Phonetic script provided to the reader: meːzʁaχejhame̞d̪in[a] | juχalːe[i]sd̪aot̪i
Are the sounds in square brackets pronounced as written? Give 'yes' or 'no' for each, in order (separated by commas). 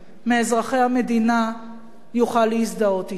yes, yes